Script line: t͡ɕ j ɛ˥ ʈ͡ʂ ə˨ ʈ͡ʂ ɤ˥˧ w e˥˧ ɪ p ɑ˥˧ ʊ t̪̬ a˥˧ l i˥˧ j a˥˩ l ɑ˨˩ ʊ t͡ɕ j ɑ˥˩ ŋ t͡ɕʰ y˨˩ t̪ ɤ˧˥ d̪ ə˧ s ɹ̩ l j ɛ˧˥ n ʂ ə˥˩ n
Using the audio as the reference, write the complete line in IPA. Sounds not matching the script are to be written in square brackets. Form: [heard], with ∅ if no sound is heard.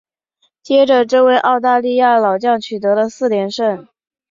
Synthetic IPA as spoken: t͡ɕ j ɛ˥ ʈ͡ʂ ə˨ ʈ͡ʂ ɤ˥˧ w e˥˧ ɪ [ʔ] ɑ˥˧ ʊ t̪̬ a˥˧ l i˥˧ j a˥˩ l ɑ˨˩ ʊ t͡ɕ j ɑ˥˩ ŋ t͡ɕʰ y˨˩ t̪ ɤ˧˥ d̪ ə˧ s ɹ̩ l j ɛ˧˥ n ʂ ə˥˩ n